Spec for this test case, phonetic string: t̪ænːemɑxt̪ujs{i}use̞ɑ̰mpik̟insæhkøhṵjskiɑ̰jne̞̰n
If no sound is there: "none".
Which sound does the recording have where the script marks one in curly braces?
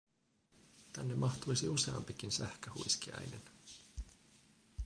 i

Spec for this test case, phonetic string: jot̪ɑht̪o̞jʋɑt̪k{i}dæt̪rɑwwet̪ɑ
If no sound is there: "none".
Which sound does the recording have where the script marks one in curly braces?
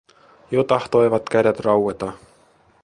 æ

